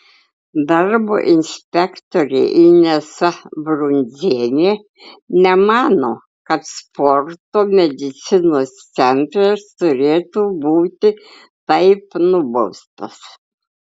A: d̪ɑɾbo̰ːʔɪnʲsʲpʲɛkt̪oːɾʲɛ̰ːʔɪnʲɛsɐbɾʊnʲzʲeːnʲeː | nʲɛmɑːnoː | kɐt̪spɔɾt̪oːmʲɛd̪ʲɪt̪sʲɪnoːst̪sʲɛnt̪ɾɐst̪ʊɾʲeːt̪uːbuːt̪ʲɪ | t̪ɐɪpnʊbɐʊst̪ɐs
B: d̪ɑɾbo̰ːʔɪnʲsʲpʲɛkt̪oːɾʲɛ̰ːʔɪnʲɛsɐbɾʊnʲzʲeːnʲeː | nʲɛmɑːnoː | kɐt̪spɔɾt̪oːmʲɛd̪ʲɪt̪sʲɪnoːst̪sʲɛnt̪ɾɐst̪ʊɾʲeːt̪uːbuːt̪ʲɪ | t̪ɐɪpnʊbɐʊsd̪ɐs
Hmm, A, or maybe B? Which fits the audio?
A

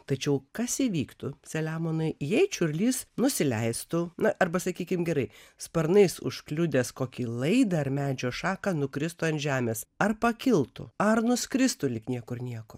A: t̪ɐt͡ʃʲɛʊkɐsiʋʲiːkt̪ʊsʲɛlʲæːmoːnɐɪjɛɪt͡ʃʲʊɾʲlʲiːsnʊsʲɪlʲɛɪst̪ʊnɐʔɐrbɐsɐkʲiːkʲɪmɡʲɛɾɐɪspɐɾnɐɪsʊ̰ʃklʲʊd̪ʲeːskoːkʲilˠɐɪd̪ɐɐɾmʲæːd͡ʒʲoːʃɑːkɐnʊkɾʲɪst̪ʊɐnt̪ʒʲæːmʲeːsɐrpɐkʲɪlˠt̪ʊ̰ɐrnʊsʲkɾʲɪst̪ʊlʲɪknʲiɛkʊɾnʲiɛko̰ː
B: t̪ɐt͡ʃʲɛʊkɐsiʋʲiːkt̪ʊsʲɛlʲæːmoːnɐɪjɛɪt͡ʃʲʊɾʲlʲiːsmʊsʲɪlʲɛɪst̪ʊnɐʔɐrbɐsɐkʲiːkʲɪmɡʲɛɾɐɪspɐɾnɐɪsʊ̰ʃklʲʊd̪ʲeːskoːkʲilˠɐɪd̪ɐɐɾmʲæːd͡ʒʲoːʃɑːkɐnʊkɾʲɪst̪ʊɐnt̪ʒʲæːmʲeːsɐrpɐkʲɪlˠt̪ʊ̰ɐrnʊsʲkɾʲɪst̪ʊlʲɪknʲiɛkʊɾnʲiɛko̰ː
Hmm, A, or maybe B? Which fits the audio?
A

